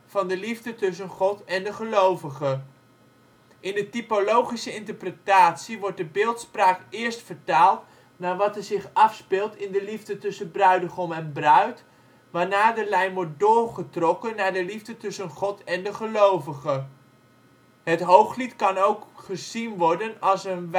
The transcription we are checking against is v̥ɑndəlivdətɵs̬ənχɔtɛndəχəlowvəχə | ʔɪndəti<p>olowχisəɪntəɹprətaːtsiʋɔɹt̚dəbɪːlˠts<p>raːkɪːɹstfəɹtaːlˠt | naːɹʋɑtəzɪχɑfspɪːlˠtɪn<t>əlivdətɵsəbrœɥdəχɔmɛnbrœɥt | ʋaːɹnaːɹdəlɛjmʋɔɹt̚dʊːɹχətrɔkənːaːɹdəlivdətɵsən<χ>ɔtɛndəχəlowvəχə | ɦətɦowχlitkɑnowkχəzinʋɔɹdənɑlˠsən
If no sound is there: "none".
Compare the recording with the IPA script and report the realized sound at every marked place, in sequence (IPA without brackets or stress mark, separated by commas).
p, p, d, χ